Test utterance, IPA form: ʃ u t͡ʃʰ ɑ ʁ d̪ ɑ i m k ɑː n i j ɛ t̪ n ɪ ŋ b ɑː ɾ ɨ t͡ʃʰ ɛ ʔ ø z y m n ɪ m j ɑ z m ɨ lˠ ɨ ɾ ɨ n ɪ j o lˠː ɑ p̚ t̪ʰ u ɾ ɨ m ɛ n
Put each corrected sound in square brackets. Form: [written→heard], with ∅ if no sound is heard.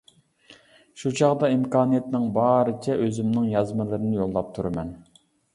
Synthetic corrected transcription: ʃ u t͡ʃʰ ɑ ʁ d̪ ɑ i m k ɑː n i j ɛ t̪ n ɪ ŋ b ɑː ɾ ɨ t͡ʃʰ ɛ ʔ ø z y m n ɪ [m→ŋ] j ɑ z m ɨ lˠ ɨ ɾ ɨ n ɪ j o lˠː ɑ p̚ t̪ʰ u ɾ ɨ m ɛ n